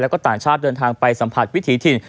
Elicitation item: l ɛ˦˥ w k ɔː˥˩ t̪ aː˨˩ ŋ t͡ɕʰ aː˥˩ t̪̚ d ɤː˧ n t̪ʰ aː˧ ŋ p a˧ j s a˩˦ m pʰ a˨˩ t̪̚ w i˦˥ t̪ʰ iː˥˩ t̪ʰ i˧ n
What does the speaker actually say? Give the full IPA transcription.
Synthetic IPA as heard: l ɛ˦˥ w k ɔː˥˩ t̪ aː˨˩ ŋ t͡ɕʰ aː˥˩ t̪̚ d ɤː˧ n t̪ʰ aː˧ ŋ p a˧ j s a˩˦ m pʰ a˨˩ t̪̚ w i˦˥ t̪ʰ iː˩˦˥ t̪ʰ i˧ n

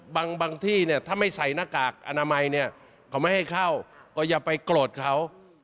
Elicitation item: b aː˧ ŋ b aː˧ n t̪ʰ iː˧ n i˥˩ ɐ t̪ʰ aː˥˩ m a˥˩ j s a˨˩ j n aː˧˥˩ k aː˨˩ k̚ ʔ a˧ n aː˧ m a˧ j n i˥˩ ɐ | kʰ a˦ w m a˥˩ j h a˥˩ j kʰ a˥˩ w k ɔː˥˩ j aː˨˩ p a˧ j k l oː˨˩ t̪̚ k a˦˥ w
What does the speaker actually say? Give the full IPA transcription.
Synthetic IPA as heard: b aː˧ ŋ b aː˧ ŋ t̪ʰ iː˥˩ n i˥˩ ɐ t̪ʰ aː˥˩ m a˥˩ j s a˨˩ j n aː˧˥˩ k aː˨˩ k̚ ʔ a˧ n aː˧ m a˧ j n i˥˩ ɐ | kʰ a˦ w m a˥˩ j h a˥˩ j kʰ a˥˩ w k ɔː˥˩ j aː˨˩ p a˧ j k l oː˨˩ t̪̚ kʰ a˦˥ w

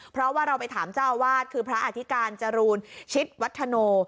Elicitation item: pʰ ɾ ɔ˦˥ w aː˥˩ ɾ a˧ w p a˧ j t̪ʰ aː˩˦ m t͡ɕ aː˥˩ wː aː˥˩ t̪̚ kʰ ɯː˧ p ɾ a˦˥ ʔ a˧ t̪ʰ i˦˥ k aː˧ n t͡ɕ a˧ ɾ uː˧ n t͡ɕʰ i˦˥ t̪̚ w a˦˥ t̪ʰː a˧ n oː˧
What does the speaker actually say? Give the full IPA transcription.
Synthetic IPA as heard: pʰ ɾ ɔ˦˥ w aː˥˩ ɾ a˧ w p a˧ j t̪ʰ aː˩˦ m t͡ɕ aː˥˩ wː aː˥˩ t̪̚ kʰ ɯː˧ pʰ ɾ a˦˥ ʔ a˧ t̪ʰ i˦˥ k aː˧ n t͡ɕ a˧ ɾ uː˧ n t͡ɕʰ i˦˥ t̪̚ w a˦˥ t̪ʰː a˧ n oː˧

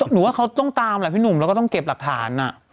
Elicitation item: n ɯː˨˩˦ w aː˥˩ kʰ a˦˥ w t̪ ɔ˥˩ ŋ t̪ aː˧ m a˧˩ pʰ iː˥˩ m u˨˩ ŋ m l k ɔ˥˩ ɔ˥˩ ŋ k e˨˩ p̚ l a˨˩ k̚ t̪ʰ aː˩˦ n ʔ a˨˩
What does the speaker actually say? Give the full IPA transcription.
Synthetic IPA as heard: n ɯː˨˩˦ w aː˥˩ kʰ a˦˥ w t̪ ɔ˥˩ ŋ t̪ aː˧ m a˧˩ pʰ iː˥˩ n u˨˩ m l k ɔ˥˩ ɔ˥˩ ŋ k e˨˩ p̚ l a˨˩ k̚ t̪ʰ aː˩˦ n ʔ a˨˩

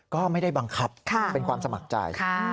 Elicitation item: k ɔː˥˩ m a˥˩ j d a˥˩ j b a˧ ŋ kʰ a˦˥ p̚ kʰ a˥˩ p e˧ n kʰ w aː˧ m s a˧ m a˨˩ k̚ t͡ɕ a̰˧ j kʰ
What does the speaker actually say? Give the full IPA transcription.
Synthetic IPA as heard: k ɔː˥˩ m a˥˩ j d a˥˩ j b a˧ ŋ kʰ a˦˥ p̚ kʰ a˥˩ p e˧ n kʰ w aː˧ m s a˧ m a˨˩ k̚ t͡ɕ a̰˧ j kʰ

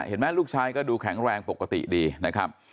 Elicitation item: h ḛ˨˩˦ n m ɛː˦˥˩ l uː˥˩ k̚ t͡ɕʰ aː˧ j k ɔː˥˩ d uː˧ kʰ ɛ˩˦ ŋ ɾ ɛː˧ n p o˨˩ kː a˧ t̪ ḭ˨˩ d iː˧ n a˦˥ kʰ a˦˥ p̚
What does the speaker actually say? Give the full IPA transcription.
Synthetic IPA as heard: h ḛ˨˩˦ n m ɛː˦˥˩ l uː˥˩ k̚ t͡ɕʰ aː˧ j k ɔː˥˩ d uː˧ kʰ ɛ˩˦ ŋ ɾ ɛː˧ ŋ p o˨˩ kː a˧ t̪ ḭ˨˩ d iː˧ n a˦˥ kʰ a˦˥ p̚

